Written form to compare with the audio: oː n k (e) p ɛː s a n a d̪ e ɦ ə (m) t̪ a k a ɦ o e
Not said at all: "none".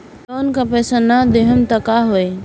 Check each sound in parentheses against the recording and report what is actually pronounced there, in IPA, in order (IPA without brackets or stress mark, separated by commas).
a, m